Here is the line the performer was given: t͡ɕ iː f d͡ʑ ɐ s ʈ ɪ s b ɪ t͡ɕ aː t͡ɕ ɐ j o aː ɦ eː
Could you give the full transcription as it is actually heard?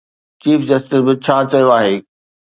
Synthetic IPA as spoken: t͡ɕ iː f d͡ʑ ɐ s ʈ ɪ s b ɪ t͡ɕʰ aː t͡ɕ ɐ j o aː ɦ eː